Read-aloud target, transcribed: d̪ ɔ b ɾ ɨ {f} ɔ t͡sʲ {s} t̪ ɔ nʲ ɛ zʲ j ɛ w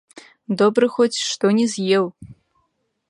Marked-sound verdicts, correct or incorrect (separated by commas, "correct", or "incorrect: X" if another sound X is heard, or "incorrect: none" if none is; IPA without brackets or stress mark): incorrect: x, incorrect: ʂ